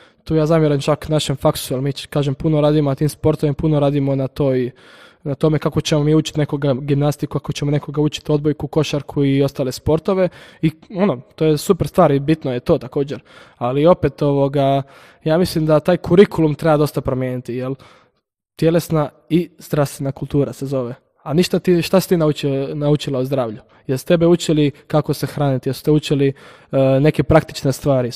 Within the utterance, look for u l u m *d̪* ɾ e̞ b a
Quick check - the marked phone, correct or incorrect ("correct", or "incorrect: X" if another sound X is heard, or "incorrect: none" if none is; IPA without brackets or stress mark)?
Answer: incorrect: t̪